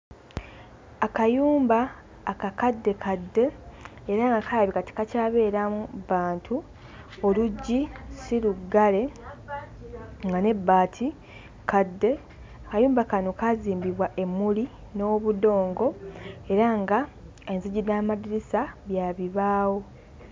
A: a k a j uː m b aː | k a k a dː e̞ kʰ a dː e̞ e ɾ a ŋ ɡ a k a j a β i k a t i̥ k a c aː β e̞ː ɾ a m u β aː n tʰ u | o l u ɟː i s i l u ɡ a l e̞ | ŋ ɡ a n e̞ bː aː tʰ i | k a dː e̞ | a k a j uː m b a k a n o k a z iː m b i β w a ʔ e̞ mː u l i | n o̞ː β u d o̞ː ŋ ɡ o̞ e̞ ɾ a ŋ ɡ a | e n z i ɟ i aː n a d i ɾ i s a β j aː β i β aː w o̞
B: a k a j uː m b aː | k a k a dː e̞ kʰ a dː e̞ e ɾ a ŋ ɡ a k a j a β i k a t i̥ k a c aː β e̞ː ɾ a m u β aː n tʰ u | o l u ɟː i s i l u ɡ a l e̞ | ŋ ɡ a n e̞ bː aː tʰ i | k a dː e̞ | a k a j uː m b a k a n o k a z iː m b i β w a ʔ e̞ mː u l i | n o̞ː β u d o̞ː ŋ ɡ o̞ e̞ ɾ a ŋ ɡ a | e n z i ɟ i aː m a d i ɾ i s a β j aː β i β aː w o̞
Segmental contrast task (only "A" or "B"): B